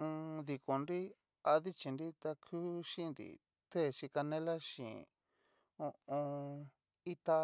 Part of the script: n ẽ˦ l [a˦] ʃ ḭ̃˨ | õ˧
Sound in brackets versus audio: correct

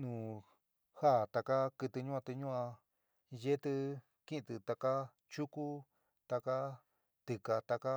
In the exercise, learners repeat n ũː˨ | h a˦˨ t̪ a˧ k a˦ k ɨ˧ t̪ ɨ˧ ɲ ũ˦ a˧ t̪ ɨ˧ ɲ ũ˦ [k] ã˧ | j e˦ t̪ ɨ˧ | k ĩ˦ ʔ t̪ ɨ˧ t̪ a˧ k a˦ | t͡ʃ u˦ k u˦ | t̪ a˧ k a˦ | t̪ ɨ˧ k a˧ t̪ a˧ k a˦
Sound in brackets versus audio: incorrect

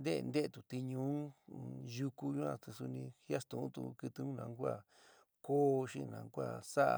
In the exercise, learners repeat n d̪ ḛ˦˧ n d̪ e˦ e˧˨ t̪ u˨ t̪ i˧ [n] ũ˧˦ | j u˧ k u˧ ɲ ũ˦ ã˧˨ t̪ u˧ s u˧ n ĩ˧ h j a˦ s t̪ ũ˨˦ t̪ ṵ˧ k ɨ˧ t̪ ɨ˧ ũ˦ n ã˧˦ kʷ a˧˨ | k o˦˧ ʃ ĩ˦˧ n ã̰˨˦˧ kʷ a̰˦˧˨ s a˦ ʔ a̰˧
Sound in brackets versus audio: incorrect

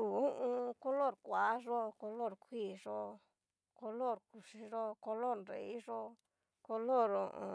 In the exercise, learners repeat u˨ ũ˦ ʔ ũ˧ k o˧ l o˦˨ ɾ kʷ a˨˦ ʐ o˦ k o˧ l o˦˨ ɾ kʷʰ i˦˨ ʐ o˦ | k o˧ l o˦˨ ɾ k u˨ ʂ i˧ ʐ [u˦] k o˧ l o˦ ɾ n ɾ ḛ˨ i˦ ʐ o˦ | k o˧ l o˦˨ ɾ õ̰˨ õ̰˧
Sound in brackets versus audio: incorrect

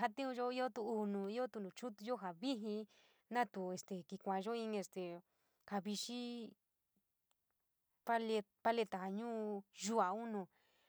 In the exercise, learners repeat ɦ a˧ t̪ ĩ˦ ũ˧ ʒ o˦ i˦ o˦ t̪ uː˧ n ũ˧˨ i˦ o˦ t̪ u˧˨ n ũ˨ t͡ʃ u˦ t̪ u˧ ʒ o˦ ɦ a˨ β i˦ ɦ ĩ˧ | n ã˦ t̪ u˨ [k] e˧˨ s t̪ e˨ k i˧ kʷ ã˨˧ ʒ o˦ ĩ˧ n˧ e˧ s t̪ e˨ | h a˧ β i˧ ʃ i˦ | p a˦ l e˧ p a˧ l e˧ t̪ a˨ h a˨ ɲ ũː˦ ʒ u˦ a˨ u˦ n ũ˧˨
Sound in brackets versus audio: incorrect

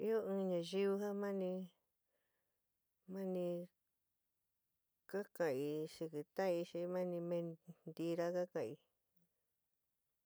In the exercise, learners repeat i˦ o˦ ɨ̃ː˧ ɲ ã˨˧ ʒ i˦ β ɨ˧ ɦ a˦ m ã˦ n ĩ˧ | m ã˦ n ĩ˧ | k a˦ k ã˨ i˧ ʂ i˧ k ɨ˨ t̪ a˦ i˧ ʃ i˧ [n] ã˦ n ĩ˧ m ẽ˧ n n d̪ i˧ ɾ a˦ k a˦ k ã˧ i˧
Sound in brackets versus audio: incorrect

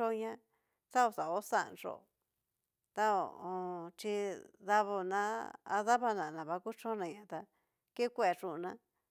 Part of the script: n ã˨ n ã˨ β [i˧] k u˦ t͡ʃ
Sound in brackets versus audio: incorrect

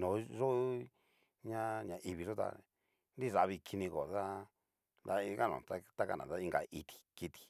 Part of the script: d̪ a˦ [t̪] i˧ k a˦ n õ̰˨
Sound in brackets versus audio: incorrect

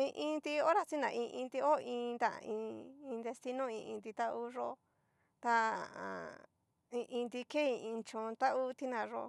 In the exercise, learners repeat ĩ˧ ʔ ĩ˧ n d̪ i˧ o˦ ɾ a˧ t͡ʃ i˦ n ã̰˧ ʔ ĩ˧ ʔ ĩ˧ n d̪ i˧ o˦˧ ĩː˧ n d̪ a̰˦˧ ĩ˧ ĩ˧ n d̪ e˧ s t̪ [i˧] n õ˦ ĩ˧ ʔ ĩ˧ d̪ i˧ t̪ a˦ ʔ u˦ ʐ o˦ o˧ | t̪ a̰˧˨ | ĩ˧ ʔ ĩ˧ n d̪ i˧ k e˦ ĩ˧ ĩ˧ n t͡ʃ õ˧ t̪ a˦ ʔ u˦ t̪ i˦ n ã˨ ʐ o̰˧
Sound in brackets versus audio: correct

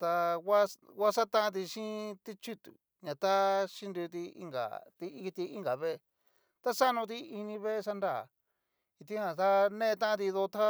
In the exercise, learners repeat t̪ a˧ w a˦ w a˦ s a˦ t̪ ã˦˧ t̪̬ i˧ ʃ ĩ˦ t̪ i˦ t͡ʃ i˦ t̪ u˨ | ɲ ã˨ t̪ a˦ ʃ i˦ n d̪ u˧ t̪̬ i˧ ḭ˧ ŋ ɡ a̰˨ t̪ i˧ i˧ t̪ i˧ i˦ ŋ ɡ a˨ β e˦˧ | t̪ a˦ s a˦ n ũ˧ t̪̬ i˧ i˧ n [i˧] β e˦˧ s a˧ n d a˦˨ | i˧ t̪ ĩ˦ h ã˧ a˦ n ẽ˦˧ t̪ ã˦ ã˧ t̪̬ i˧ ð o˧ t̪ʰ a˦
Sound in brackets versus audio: incorrect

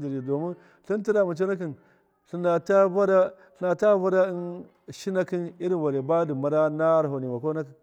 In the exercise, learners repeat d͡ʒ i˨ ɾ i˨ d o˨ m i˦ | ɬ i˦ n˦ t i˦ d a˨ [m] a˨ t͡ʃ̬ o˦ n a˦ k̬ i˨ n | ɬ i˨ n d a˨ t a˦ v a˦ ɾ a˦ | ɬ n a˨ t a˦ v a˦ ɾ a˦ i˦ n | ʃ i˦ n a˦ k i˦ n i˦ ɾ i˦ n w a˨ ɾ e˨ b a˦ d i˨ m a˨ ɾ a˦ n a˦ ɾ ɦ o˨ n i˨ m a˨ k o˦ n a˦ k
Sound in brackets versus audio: correct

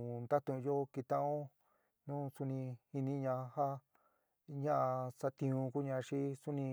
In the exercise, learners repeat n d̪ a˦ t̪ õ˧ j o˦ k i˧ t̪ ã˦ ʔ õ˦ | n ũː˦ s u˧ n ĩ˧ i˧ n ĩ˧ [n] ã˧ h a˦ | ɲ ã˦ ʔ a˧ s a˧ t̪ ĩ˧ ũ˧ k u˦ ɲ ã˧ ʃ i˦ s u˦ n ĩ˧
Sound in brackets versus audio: incorrect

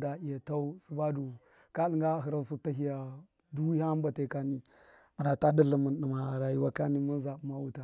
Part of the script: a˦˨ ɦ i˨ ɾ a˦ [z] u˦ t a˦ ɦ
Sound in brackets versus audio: incorrect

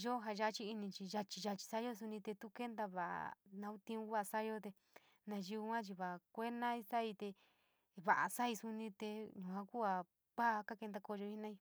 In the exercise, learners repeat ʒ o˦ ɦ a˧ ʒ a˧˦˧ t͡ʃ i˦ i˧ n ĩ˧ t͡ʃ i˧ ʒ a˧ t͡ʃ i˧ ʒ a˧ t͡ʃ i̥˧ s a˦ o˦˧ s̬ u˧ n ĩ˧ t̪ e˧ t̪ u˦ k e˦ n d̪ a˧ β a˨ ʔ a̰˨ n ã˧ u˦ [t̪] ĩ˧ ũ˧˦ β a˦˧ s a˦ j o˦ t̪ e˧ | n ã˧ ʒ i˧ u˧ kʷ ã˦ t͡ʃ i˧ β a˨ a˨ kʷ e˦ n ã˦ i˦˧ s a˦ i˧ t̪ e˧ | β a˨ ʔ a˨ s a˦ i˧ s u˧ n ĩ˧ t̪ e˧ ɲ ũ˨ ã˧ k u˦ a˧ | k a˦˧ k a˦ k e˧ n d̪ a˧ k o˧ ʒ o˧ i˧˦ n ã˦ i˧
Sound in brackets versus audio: correct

